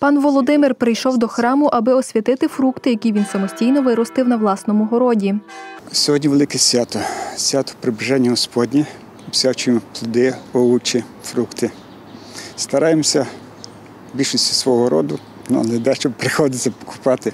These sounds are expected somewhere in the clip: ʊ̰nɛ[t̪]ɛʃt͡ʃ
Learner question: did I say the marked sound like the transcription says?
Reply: no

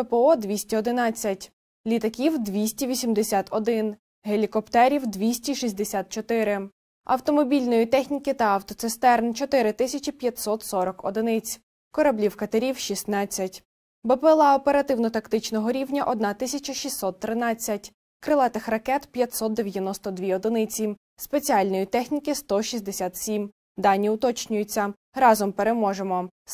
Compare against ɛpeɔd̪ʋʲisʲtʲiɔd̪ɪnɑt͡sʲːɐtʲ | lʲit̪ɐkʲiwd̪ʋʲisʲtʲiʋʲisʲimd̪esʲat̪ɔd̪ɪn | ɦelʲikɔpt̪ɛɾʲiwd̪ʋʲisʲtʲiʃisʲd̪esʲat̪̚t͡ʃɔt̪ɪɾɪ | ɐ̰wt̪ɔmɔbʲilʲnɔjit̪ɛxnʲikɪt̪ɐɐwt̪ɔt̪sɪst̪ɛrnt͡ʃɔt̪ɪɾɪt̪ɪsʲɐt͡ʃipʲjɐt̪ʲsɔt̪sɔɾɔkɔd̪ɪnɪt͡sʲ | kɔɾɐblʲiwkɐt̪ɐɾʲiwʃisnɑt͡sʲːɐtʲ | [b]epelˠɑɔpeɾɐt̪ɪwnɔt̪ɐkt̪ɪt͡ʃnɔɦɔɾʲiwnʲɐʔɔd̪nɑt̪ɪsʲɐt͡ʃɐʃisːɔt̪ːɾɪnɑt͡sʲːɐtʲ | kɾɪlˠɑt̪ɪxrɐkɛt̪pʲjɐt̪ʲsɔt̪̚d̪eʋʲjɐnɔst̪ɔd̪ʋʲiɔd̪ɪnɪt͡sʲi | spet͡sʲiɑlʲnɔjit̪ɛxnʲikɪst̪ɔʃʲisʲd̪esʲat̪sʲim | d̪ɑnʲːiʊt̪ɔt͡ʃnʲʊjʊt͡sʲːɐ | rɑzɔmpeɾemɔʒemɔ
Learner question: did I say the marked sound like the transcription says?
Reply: yes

